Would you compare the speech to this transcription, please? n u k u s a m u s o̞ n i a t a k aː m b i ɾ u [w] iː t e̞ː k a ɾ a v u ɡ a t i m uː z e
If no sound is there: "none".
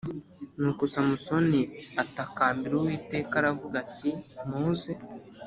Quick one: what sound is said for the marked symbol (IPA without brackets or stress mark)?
w